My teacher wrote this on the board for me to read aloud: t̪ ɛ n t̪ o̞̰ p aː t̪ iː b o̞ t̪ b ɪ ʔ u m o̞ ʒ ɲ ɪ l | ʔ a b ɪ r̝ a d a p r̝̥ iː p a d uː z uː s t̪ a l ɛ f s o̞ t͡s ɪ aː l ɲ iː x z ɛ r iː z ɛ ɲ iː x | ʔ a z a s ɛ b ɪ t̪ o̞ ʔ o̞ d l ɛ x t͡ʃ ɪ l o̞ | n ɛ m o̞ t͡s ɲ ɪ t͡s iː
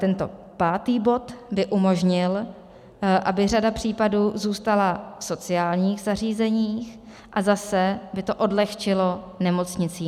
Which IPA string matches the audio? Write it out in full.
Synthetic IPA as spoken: t̪ ɛ n t̪ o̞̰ p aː t̪ iː b o̞ t̪ b ɪ ʔ u m o̞ ʒ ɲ ɪ l | ʔ a b ɪ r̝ a d a p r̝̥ iː p a d uː z uː s t̪ a l a f s o̞ t͡s ɪ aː l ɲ iː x z a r iː z ɛ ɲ iː x | ʔ a z a s ɛ b ɪ t̪ o̞ ʔ o̞ d l ɛ x t͡ʃ ɪ l o̞ | n ɛ m o̞ t͡s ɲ ɪ t͡s iː